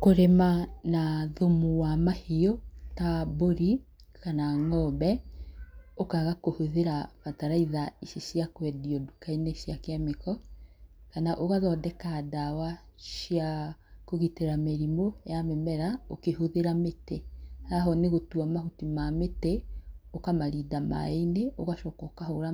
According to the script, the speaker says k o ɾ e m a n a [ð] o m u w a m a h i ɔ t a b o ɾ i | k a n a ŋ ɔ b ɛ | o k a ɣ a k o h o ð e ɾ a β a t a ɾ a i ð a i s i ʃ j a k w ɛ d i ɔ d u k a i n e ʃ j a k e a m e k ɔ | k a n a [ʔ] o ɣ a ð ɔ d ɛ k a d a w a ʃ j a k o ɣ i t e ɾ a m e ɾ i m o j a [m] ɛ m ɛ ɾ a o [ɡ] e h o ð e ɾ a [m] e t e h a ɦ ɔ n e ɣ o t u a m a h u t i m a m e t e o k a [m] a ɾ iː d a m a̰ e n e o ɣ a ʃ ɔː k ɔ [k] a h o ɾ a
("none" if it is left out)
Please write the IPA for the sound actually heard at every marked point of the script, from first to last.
ð, ʔ, m, k, m, m, k

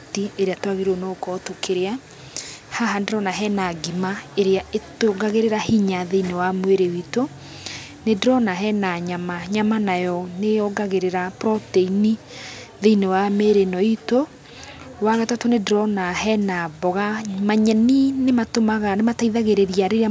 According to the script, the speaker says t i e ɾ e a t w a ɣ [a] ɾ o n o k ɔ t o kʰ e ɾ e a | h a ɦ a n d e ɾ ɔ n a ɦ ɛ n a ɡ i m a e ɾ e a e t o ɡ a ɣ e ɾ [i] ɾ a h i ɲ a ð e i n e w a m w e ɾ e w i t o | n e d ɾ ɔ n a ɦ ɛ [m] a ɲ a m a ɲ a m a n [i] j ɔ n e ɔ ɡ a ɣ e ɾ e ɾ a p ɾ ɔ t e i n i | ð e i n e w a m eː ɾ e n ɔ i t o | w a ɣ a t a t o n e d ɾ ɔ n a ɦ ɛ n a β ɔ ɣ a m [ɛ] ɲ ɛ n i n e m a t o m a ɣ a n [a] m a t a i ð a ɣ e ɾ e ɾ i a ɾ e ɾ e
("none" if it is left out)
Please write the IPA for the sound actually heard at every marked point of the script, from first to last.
e, e, n, a, a, e

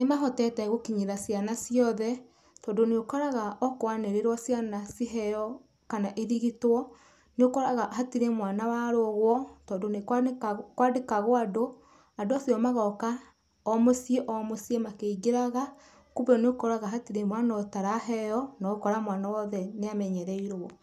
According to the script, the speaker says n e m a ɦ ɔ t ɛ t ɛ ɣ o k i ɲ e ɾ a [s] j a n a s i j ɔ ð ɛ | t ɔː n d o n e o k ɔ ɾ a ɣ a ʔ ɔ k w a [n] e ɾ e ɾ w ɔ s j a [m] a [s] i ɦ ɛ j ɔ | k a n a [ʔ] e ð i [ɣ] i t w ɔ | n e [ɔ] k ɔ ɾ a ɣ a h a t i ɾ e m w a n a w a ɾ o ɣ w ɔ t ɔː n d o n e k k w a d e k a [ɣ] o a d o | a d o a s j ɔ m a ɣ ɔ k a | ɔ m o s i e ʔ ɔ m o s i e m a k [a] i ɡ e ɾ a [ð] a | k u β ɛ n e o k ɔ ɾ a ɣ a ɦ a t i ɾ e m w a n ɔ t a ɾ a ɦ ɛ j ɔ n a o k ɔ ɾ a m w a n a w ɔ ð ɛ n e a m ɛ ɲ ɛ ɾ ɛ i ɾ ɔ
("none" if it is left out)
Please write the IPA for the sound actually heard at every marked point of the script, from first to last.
s, n, n, s, ʔ, ɣ, o, ɣ, e, ɣ

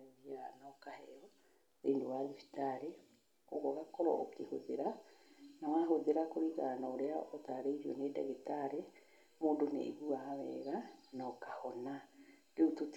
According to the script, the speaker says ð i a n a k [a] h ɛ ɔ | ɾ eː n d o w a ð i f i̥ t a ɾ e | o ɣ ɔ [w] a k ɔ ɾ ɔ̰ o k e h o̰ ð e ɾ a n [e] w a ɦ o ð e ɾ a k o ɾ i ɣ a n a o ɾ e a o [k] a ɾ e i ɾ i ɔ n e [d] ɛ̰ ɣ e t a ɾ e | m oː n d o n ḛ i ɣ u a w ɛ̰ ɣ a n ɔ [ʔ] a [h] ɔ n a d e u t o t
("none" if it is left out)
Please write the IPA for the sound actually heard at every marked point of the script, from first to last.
a, ɣ, a, t, d, k, h

